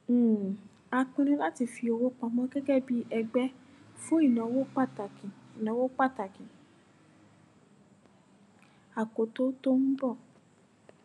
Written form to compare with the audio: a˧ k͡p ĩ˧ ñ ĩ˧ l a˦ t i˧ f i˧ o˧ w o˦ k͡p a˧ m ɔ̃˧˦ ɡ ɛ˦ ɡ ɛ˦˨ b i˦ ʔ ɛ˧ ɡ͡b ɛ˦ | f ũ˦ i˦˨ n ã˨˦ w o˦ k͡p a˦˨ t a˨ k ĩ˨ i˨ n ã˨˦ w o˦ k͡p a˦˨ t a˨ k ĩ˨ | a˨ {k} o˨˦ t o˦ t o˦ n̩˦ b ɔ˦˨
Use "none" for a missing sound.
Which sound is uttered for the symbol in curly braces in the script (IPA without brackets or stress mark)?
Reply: k